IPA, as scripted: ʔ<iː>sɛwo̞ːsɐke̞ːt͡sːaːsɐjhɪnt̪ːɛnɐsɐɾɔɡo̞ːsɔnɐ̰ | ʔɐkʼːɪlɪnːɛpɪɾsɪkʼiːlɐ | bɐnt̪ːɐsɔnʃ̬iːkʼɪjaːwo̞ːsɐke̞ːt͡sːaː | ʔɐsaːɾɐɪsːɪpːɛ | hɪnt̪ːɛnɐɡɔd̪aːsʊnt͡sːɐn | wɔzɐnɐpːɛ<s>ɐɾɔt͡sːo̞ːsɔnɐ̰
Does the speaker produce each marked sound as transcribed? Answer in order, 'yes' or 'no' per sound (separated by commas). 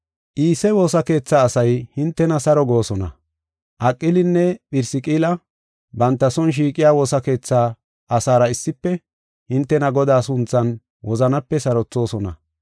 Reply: yes, yes